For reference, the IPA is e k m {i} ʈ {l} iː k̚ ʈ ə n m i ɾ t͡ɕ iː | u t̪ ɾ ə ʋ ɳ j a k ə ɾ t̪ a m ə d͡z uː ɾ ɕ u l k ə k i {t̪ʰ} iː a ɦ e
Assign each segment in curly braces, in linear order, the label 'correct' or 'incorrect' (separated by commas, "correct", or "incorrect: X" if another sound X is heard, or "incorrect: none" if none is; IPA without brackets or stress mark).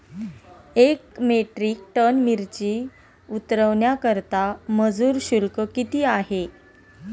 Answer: incorrect: e, incorrect: ɾ, incorrect: t̪